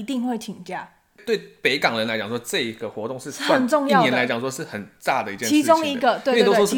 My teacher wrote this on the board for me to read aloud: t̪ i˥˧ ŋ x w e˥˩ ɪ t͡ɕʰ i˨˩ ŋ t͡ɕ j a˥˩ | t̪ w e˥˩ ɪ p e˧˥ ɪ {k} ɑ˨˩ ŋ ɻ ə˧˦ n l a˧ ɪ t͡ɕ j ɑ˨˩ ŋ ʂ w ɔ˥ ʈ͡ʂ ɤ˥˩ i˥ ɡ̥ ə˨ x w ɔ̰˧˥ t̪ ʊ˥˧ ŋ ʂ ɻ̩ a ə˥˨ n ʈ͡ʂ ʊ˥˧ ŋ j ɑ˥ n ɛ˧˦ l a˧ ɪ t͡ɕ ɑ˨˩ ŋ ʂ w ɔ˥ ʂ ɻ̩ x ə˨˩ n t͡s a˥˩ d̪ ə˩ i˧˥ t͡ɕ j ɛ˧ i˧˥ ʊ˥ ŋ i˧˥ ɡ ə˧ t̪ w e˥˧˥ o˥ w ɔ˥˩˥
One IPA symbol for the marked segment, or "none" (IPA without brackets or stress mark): k